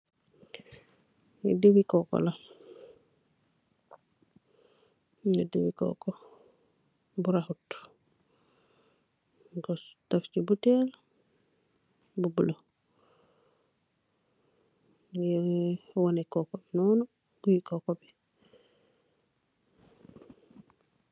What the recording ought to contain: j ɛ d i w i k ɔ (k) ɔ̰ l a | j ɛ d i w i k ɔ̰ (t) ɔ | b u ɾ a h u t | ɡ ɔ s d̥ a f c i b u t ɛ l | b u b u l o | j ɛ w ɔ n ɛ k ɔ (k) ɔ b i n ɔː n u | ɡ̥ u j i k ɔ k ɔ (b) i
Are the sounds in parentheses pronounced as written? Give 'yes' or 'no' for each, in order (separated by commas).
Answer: yes, no, yes, yes